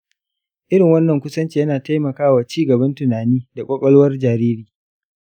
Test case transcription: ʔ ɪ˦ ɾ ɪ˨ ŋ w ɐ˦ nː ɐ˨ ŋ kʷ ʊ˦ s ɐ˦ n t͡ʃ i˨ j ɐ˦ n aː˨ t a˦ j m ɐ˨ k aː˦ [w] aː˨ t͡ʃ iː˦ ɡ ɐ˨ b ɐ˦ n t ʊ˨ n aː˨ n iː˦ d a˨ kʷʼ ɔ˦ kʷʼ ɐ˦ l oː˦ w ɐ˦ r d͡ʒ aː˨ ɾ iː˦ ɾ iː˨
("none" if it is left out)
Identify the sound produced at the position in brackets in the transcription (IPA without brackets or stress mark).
w